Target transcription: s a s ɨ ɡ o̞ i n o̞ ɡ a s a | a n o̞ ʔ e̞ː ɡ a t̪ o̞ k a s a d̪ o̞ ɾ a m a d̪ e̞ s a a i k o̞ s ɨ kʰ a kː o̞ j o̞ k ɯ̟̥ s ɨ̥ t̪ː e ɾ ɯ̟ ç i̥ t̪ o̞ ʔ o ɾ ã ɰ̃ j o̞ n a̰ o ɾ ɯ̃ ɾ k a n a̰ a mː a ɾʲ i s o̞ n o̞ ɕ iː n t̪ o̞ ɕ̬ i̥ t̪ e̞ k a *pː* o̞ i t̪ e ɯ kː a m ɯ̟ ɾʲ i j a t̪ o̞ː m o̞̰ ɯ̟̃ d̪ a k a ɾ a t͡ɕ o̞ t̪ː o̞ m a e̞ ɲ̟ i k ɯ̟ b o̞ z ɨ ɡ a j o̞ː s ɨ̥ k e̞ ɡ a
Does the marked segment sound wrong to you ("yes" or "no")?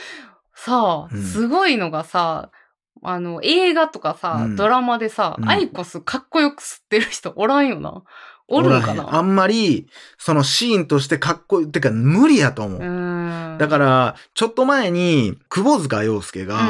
yes